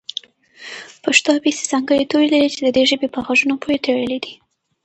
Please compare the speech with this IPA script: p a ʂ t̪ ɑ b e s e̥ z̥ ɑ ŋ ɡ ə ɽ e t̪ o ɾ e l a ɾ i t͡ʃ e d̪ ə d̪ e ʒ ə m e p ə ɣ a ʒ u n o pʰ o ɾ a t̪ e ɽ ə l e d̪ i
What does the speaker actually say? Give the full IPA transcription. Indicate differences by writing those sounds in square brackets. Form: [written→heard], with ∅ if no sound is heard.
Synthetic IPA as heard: p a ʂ t̪ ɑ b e s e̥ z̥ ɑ ŋ ɡ ə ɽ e t̪ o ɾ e l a ɾ i t͡ʃ e d̪ ə d̪ e ʒ ə [m→b] e p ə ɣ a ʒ u n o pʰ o ɾ [a→e] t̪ e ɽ ə l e d̪ i